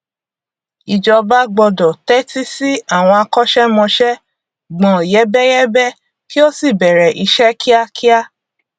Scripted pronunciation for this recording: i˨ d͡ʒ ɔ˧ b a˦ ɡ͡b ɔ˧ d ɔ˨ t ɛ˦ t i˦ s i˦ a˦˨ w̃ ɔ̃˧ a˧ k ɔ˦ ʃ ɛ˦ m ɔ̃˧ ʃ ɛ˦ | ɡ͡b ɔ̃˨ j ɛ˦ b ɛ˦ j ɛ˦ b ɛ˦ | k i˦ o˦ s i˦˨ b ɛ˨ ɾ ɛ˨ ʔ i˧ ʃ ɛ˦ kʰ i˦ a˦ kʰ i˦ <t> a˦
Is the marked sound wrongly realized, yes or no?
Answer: yes